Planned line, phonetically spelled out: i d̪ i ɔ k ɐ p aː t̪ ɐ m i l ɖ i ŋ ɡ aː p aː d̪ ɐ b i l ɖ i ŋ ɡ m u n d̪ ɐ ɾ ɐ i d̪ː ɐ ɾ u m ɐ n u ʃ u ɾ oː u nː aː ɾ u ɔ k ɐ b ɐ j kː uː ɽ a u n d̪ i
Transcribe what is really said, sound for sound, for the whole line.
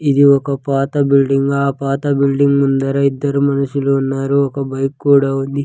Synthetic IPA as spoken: i d̪ i ɔ k ɐ p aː t̪ ɐ b i l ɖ i ŋ ɡ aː p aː t̪ ɐ b i l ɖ i ŋ ɡ m u n d̪ ɐ ɾ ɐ i d̪ː ɐ ɾ u m ɐ n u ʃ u l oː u nː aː ɾ u ɔ k ɐ b ɐ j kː uː ɽ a u n d̪ i